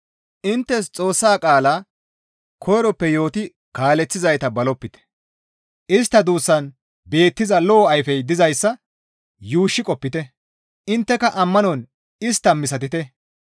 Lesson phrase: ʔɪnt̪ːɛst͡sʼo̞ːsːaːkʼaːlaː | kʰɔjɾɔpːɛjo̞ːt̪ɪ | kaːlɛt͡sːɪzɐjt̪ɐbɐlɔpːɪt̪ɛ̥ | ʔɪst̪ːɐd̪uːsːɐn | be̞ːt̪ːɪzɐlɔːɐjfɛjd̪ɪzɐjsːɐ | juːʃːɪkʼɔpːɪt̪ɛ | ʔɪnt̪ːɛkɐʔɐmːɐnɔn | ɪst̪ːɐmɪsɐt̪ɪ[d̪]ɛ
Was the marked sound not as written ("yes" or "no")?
yes